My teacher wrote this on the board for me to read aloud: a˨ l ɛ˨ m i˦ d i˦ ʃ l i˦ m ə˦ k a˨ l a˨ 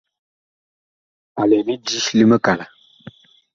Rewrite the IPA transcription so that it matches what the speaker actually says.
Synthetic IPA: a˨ l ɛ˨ m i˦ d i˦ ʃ l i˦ m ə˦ k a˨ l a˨